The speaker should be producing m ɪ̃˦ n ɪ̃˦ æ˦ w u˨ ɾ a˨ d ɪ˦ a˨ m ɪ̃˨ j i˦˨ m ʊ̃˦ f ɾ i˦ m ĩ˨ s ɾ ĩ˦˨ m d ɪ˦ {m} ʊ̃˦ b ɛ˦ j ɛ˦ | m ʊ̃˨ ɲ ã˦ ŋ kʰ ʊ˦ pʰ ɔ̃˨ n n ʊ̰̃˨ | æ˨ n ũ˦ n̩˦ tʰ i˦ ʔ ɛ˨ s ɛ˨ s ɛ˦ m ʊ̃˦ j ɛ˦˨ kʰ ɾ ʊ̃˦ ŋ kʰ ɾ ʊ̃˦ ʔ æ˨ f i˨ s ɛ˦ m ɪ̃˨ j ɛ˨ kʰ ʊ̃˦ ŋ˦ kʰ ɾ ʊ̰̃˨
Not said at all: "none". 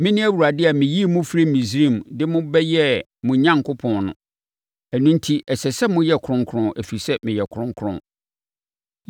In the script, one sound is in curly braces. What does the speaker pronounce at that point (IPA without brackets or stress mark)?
m